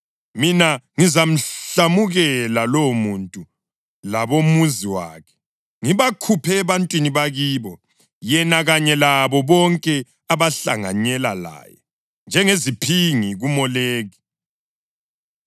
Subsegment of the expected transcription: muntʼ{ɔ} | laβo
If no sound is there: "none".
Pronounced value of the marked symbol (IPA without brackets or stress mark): u